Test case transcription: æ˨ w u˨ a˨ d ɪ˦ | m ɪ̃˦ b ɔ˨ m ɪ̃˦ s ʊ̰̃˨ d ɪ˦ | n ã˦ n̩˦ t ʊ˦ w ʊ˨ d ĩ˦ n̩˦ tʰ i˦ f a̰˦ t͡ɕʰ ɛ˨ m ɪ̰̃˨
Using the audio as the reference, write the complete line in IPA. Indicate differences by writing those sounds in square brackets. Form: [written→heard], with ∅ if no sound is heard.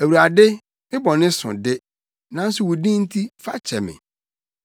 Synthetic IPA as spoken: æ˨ w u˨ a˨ d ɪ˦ | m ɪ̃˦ b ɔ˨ [m→n] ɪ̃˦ s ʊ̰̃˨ d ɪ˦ | n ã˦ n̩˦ [t→s] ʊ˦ w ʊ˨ d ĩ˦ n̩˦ tʰ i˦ f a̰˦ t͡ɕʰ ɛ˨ m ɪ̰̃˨